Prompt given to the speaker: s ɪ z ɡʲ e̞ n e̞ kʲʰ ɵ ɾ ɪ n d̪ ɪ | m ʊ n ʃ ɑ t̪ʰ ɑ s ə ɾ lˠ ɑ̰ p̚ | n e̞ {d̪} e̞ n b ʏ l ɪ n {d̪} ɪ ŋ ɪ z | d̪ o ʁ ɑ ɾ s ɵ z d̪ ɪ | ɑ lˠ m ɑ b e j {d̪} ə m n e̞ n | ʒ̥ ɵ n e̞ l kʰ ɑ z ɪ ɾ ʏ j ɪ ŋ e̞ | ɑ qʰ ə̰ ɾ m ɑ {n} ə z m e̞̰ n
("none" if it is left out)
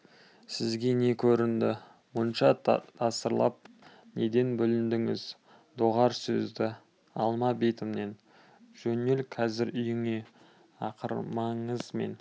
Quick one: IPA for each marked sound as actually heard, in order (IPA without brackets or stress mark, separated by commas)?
d̪, d̪, t̪, ɴ